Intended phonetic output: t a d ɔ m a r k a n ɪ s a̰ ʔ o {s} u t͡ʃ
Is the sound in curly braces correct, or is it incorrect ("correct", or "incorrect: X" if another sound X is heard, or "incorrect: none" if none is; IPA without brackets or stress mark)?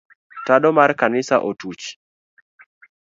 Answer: incorrect: t